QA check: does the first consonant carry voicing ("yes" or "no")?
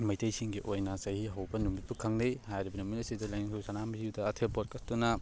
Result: yes